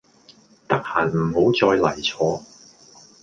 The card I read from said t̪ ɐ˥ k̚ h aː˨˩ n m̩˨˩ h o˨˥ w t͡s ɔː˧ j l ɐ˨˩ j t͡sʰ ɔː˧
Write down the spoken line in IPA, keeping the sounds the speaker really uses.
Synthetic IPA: t̪ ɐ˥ k̚ h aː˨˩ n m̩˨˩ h o˨˥ w t͡s ɔː˧ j l ɐ˨˩ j t͡sʰ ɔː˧